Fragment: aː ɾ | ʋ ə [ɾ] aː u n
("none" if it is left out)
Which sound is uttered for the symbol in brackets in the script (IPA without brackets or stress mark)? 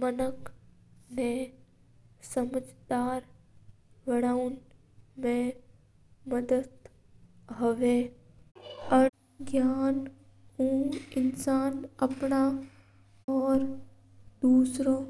ɽ